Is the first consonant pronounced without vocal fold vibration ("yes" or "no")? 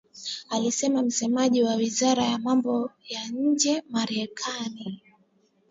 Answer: no